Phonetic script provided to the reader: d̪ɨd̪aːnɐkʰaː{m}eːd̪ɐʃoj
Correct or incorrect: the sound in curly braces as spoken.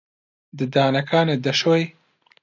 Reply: incorrect: n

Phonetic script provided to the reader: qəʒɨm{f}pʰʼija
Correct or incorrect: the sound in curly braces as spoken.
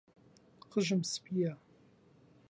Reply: incorrect: s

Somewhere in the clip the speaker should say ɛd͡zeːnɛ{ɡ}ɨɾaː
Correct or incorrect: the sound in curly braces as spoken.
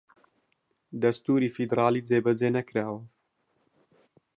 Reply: incorrect: k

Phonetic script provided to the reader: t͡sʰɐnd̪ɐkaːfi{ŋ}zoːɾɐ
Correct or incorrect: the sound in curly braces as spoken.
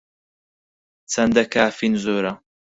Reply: incorrect: n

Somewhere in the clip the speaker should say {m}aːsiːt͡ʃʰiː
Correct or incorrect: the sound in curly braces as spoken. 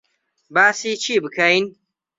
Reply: incorrect: b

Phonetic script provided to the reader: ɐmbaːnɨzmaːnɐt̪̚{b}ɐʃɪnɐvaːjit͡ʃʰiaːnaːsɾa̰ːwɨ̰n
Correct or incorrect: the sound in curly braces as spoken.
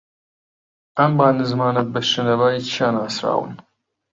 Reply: correct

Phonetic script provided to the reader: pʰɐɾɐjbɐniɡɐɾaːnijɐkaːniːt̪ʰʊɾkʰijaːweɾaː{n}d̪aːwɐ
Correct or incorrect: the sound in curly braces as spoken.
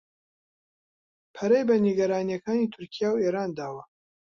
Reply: correct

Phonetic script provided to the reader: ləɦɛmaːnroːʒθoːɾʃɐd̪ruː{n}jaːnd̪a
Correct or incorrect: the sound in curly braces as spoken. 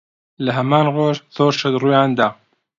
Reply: incorrect: none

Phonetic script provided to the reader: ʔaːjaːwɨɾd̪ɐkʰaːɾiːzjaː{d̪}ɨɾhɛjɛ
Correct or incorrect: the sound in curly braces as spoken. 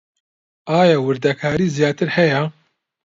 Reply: incorrect: t̪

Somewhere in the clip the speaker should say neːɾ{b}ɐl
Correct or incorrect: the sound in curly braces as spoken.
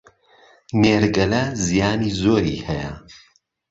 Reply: incorrect: ɡ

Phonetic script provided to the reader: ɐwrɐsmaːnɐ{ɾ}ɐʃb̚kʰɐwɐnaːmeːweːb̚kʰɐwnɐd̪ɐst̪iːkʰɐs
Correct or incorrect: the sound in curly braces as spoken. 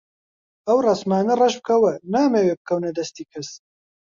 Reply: incorrect: r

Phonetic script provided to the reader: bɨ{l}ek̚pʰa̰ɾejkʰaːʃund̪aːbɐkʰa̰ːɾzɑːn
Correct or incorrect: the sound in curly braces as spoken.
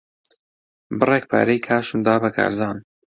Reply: incorrect: r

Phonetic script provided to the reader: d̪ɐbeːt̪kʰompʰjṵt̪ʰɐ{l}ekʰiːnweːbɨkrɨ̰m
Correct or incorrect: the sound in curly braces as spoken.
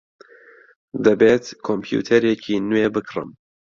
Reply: incorrect: ɾ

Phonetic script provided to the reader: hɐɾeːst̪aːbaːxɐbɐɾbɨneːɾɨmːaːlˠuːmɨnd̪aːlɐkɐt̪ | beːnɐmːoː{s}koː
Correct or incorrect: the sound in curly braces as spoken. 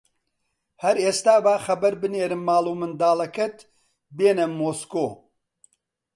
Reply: correct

